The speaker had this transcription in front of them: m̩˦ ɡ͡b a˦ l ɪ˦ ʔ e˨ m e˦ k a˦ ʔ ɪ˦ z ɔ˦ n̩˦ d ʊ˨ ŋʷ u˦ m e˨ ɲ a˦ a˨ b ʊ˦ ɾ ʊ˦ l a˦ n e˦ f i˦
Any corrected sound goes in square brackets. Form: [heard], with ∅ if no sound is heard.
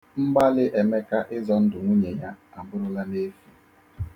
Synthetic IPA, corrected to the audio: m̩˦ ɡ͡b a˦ l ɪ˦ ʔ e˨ m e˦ k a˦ ʔ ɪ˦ z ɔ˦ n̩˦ d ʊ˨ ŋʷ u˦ [ɲ] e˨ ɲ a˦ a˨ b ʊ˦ ɾ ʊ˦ l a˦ n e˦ f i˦